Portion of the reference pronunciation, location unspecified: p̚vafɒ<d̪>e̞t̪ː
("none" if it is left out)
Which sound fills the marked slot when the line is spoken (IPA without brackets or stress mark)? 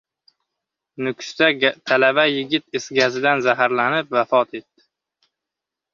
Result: t̪